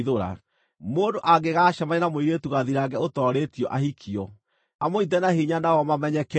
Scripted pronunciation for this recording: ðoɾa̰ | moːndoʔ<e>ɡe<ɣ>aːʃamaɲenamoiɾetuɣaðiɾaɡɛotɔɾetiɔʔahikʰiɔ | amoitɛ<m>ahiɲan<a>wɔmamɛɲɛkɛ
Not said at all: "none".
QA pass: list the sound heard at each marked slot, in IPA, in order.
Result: a, ɣ, n, a

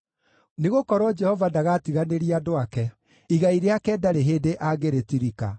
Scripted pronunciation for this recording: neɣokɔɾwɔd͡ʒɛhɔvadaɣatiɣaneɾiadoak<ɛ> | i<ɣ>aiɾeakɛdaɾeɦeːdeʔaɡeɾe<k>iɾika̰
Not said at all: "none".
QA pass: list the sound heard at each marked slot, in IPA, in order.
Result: ɛ, ɣ, t

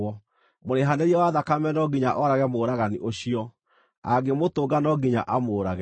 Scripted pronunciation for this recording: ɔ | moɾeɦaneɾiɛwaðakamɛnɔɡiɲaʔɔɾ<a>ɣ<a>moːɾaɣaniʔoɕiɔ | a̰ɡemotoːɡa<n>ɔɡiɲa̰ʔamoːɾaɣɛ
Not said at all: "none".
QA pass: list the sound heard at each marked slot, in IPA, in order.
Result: a, ɛ, n

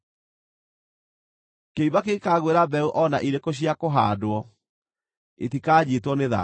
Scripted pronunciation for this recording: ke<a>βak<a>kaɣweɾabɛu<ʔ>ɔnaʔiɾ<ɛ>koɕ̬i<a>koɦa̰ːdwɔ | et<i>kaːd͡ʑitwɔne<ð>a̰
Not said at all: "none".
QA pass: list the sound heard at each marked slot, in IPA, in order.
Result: i, e, ʔ, e, a, i, ð

